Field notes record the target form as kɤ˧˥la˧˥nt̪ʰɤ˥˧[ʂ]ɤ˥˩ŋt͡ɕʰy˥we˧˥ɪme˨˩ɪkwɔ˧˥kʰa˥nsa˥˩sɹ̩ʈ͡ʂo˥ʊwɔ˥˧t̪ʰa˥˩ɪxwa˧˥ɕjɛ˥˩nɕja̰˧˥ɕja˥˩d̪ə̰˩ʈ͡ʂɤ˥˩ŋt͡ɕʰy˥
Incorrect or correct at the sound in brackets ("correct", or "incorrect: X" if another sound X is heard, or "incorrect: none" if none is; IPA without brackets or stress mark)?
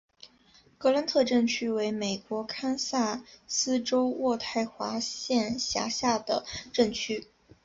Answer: incorrect: ʈ͡ʂ